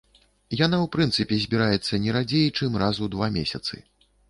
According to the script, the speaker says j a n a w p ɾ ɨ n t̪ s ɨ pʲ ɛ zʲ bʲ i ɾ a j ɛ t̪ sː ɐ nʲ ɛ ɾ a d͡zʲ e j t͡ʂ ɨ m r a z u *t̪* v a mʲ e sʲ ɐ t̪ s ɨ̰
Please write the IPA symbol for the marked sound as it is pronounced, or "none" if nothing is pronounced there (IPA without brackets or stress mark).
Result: d̪